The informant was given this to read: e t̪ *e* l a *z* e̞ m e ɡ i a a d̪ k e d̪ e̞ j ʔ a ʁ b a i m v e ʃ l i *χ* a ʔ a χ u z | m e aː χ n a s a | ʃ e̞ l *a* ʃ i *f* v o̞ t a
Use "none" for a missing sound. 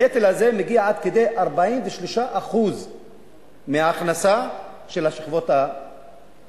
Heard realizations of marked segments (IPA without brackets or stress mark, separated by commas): e, z, ʃ, a, χ